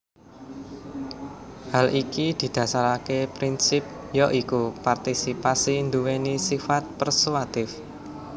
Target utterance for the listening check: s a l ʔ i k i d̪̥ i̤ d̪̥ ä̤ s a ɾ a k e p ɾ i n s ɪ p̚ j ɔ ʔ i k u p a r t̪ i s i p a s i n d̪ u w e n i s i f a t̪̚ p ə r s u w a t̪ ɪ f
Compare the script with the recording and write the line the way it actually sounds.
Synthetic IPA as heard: h a l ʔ i k i d̪̥ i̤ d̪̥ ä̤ s a ɾ a k e p ɾ i n s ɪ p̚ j ɔ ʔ i k u p a r t̪ i s i p a s i n d̪ u w e n i s i f a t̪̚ p ə r s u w a t̪ ɪ f